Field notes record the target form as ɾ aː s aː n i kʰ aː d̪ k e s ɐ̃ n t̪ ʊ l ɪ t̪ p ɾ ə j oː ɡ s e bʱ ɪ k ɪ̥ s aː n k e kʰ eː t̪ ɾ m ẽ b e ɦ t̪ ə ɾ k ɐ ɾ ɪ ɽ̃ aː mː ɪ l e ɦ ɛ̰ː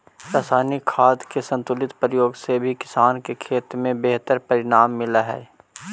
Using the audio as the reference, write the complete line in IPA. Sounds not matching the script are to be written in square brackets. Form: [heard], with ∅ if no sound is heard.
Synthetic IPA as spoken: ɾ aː s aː n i kʰ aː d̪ k e s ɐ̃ n t̪ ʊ l ɪ t̪ p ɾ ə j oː ɡ s e bʱ [i] k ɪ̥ s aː n k e kʰ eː t̪ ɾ m ẽ b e ɦ t̪ ə ɾ [p] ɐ ɾ ɪ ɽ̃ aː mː ɪ l [a] ɦ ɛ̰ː